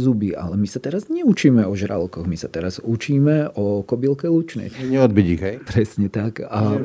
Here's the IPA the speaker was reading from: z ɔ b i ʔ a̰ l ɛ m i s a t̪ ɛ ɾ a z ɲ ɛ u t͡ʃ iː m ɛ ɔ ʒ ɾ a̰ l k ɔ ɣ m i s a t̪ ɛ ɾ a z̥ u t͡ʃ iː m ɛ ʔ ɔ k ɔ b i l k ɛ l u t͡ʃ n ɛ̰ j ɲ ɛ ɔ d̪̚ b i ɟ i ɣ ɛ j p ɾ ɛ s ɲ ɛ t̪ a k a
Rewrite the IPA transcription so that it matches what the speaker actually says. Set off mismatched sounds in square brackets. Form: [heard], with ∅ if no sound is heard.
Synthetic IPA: z [u] b i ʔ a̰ l ɛ m i s a t̪ ɛ ɾ a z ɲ ɛ u t͡ʃ iː m ɛ ɔ ʒ ɾ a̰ l k ɔ ɣ m i s a t̪ ɛ ɾ a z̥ u t͡ʃ iː m ɛ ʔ ɔ k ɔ b i l k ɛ l u t͡ʃ n ɛ̰ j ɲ ɛ ɔ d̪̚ b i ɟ i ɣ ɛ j p ɾ ɛ s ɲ ɛ t̪ a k a